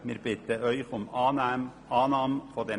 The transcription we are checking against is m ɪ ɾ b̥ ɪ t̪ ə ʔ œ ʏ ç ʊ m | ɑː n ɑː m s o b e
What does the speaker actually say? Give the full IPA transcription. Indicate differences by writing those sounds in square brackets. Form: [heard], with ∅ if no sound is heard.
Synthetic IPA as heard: m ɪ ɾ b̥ ɪ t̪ ə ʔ œ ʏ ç ʊ m | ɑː n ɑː m [f] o [d] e